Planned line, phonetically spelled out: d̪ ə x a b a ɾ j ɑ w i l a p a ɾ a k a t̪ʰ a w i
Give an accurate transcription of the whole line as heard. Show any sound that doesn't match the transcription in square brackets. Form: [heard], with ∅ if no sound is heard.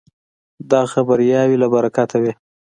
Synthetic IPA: d̪ [ɑ] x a b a ɾ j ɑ w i l a [b] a ɾ a k a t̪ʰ a w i